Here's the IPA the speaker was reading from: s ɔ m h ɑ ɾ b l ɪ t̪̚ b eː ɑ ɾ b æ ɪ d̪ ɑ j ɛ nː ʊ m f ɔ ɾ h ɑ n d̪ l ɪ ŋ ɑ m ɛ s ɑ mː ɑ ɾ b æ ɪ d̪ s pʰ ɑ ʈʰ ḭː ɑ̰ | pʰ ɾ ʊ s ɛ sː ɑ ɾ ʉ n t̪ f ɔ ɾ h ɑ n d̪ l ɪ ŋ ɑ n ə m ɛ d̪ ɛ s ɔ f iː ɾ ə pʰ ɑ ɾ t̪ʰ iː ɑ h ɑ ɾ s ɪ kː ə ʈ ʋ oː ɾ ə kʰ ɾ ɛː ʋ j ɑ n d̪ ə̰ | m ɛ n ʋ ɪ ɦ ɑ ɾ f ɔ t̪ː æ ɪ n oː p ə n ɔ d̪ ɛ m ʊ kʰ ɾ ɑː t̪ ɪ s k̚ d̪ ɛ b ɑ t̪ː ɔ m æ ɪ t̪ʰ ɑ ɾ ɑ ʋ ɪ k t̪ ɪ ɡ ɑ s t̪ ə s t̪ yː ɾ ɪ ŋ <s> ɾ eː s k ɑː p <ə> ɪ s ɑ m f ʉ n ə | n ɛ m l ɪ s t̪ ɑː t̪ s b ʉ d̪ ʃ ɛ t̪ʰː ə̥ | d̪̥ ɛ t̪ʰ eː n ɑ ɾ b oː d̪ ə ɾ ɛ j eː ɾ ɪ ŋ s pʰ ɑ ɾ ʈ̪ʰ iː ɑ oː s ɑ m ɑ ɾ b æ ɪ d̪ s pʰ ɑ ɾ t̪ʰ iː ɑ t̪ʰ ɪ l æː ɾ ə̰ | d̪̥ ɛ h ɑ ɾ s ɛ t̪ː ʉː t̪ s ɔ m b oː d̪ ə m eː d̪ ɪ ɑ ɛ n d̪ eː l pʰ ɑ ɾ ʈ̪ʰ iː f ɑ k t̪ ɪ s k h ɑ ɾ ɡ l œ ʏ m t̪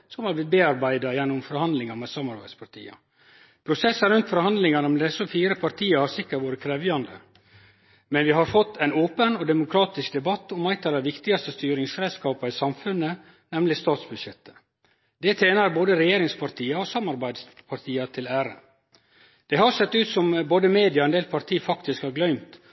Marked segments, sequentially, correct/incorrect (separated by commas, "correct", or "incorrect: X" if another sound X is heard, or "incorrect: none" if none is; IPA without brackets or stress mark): correct, incorrect: ɑ